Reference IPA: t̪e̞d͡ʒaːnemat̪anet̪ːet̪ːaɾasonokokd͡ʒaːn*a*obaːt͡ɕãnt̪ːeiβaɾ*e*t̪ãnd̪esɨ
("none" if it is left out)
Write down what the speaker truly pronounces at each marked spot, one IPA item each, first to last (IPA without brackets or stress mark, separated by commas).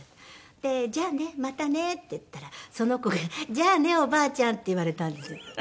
e, e